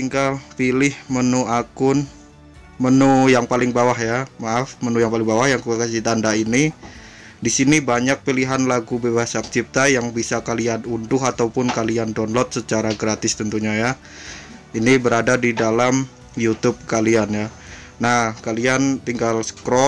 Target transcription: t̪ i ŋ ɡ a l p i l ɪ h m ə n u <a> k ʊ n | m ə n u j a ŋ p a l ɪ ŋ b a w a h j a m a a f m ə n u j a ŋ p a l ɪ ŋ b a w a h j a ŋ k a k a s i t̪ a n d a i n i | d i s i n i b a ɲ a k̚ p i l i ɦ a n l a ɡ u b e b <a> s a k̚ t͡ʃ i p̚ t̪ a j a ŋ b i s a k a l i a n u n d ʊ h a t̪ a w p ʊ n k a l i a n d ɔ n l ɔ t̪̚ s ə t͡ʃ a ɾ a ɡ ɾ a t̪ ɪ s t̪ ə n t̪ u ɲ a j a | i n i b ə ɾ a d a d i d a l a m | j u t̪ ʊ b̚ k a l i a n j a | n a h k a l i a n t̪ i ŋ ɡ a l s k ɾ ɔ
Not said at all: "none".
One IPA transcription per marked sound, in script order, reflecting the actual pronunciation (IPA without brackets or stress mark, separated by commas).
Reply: a, a